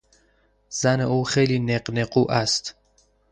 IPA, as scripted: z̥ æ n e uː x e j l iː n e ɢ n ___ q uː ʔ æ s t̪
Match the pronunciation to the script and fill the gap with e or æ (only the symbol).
e